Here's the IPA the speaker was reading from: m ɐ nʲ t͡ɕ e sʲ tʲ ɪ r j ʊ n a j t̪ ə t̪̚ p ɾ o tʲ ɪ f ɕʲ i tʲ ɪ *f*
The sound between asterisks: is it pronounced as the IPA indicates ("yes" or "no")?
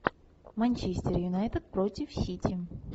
no